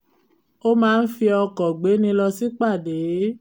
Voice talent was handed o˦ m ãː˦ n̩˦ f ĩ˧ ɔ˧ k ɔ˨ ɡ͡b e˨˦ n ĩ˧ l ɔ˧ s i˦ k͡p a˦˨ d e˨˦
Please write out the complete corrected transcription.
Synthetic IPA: o˦ m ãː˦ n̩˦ f i˧ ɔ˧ k ɔ˨ ɡ͡b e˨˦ n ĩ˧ l ɔ˧ s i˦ k͡p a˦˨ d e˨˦